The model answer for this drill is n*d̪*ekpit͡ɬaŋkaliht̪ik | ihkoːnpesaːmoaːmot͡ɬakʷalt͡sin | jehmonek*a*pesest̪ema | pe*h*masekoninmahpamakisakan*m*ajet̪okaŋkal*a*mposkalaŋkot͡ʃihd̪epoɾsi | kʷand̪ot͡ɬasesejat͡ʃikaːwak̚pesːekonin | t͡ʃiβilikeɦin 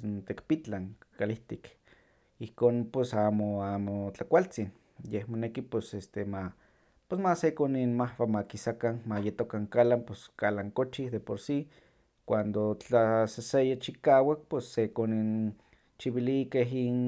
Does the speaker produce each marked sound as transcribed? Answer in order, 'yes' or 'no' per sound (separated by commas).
no, no, no, yes, yes